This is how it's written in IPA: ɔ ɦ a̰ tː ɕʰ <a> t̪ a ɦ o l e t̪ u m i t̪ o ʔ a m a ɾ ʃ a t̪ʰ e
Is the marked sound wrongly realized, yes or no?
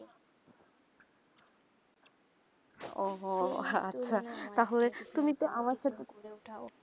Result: no